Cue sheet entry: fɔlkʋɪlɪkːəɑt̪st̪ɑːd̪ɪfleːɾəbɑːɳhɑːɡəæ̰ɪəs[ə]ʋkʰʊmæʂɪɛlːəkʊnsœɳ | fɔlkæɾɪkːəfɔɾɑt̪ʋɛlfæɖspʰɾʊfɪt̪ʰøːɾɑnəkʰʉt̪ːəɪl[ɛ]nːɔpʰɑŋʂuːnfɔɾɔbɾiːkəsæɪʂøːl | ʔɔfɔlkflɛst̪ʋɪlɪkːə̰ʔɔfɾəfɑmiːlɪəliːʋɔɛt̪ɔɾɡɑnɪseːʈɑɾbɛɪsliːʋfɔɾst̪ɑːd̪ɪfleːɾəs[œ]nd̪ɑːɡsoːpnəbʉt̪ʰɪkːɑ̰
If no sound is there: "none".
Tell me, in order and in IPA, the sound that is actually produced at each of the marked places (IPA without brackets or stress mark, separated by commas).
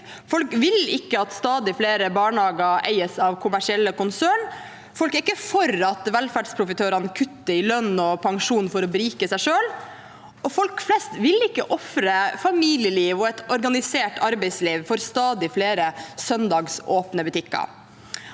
ɑ, œ, œ